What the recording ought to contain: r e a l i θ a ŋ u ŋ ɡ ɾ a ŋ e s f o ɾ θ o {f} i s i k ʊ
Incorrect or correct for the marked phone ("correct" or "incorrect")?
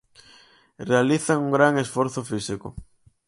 correct